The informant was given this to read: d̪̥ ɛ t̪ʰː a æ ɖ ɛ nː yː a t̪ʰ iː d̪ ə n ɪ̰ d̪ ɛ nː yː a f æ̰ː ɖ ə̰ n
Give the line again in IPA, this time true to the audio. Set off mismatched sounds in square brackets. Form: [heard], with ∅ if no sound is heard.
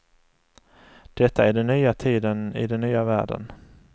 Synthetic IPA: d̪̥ ɛ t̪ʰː a æ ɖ ɛ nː yː a t̪ʰ iː d̪ ə n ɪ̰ d̪ ɛ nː yː a [v] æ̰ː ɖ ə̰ n